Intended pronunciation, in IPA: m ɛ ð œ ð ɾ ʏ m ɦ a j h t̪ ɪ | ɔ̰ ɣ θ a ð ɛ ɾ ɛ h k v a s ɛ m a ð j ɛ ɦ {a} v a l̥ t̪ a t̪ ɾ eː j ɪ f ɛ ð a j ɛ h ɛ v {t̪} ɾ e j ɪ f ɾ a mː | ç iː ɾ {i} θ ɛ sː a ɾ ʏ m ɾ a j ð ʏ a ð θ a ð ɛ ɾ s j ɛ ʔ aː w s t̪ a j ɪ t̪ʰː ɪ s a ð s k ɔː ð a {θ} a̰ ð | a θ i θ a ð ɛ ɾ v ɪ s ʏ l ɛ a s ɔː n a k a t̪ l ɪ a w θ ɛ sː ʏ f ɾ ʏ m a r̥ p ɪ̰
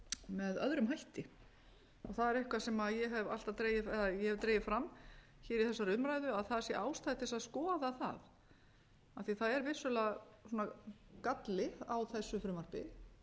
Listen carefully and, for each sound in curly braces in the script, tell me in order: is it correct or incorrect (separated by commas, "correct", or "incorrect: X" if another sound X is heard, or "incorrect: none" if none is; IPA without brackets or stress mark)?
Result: incorrect: ɛ, correct, correct, correct